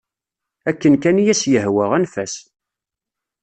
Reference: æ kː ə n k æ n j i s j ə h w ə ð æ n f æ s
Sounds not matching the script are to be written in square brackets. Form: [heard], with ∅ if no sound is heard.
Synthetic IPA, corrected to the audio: æ kː ə n k æ n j [æ] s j ə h w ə [ʁ] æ n f æ s